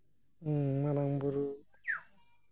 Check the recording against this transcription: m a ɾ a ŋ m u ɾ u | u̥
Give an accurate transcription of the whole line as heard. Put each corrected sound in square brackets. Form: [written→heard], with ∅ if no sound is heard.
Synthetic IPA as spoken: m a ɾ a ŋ [m→b] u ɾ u | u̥